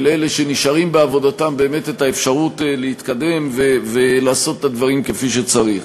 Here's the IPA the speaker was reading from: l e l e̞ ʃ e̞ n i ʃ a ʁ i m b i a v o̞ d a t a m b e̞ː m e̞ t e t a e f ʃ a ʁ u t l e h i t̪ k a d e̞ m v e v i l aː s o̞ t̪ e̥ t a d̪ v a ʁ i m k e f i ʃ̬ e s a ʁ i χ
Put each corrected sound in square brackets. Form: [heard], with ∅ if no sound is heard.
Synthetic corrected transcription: l e l e̞ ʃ e̞ n i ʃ a ʁ i m b [e] a v o̞ d a t a m b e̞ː m e̞ t e t a e f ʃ a ʁ u t l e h i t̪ k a d e̞ m v e v [e] l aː s o̞ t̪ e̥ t a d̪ v a ʁ i m k e f i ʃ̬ e [t͡s] a ʁ i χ